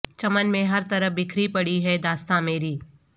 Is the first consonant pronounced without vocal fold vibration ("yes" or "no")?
yes